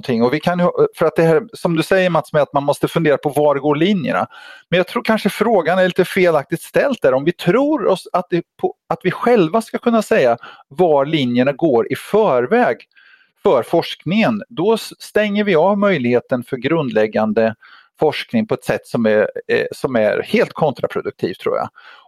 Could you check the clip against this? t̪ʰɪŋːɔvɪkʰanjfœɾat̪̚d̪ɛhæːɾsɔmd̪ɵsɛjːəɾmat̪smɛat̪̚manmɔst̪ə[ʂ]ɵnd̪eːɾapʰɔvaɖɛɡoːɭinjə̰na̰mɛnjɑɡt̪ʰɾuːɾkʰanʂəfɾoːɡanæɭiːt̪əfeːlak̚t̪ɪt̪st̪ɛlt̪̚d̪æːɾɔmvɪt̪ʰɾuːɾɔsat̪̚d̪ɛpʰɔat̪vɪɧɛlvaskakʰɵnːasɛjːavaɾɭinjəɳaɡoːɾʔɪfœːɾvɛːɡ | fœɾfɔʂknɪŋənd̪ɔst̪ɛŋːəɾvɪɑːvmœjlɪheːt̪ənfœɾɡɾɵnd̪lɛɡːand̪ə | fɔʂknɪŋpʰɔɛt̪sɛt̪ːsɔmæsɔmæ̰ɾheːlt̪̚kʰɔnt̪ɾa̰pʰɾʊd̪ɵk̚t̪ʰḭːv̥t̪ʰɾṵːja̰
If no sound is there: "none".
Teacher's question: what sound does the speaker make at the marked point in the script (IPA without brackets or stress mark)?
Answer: f